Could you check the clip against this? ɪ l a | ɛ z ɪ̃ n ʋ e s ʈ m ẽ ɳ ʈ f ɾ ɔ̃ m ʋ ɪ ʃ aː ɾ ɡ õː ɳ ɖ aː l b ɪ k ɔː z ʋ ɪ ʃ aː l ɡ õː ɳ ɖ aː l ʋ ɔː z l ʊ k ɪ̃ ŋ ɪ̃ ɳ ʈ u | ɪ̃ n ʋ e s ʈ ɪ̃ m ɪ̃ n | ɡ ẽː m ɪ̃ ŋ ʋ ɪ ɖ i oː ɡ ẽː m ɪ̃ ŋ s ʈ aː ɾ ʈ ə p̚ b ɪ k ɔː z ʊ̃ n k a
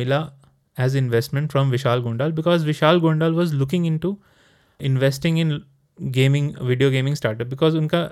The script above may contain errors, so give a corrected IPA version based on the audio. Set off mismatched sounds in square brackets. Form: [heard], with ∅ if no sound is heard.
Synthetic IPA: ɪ l a | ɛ z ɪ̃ n ʋ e s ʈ m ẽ ɳ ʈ f ɾ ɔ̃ m ʋ ɪ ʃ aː [l] ɡ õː ɳ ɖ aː l b ɪ k ɔː z ʋ ɪ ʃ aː l ɡ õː ɳ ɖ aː l ʋ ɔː z l ʊ k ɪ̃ ŋ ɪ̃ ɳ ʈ u | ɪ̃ n ʋ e s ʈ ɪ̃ [ŋ] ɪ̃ n | ɡ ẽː m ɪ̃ ŋ ʋ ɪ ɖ i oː ɡ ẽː m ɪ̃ ŋ s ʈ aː ɾ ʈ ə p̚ b ɪ k ɔː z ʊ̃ n k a